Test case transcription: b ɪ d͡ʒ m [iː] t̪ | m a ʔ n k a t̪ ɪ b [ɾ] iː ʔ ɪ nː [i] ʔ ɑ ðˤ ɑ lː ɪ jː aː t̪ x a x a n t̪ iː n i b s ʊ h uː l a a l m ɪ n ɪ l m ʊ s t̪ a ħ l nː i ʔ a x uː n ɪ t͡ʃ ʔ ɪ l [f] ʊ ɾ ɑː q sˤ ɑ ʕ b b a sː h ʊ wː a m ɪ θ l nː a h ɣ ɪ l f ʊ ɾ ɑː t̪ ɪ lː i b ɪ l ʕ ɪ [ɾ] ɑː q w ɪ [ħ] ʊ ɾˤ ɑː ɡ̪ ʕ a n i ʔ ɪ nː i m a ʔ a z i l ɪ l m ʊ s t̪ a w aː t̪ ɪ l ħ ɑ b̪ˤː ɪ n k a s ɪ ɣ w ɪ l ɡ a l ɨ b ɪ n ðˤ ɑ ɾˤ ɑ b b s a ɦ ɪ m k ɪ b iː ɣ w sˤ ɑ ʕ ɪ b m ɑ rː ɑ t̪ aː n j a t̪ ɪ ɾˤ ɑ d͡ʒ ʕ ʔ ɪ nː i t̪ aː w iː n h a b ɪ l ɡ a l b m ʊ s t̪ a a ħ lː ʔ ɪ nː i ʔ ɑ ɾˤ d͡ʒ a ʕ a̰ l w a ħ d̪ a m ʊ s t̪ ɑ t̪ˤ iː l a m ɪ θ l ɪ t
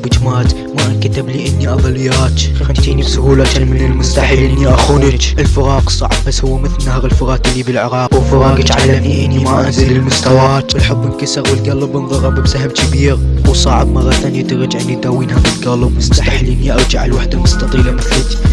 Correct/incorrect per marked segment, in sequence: incorrect, incorrect, correct, correct, correct, incorrect

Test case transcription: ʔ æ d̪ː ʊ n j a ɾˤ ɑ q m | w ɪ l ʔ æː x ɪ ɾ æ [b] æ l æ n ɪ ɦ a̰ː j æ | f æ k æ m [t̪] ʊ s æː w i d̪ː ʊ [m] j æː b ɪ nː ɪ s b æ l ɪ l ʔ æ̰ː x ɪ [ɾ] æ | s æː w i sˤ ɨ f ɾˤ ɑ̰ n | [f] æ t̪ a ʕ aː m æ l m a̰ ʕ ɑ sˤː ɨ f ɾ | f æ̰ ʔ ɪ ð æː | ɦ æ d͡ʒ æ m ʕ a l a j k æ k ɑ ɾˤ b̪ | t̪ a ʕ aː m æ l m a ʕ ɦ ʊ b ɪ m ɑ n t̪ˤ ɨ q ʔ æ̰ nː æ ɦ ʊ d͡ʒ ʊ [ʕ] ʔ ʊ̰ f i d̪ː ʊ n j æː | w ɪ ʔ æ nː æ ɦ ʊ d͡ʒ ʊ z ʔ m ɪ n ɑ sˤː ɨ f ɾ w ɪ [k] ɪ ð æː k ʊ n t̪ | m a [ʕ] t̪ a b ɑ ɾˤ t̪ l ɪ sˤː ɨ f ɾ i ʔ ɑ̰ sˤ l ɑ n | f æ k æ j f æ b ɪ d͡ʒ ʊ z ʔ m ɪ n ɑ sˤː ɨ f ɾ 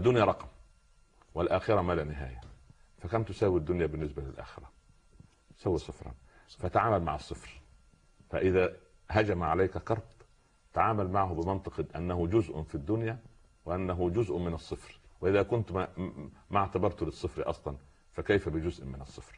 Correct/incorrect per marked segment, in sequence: incorrect, correct, incorrect, correct, correct, incorrect, incorrect, correct

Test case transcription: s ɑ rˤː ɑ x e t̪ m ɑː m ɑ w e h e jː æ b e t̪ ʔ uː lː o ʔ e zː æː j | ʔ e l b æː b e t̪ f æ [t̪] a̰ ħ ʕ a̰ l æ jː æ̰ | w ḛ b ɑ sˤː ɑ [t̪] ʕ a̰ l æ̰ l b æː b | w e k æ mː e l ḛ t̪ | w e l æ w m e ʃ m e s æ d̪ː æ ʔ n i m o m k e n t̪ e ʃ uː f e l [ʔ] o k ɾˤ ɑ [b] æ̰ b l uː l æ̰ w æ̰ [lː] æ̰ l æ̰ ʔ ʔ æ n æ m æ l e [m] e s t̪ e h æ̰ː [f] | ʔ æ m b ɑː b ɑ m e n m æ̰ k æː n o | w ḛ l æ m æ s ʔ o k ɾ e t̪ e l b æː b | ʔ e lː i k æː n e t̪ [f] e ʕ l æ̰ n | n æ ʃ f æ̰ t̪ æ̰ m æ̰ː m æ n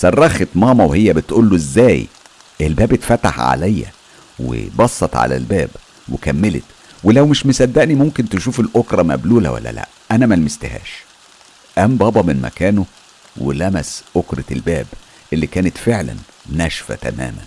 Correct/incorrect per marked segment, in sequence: correct, correct, correct, incorrect, correct, correct, incorrect, correct

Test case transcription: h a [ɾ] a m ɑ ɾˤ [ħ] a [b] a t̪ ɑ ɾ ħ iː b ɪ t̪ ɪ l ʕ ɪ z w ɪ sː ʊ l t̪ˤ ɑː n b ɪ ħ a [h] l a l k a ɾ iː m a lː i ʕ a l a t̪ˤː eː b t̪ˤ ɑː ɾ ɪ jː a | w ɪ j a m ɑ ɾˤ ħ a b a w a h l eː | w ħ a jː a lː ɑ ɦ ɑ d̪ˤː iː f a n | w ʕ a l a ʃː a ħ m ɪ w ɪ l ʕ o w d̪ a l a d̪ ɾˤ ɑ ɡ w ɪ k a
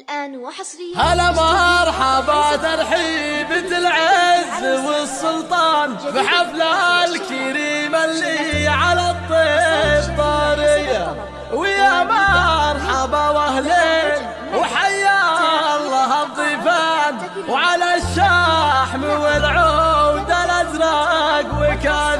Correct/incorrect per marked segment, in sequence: incorrect, correct, correct, incorrect

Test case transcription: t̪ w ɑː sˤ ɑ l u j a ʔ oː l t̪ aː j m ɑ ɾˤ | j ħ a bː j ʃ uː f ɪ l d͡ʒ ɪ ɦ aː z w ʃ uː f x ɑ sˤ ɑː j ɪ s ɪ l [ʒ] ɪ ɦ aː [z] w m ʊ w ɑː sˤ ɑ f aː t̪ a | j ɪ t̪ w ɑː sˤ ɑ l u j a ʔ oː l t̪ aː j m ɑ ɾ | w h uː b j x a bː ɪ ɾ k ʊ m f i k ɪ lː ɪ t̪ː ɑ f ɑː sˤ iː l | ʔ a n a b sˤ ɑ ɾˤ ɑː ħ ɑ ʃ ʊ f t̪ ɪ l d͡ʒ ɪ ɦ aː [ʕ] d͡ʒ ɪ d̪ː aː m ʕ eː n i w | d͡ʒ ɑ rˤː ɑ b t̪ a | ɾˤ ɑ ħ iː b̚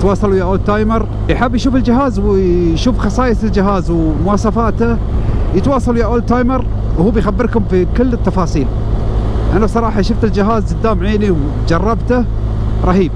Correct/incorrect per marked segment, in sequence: incorrect, correct, incorrect

